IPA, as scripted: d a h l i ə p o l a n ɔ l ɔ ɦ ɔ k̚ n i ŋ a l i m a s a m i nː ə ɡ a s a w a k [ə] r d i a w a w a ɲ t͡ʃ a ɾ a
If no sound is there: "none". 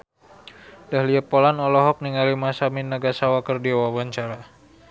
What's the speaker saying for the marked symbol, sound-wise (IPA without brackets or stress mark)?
ə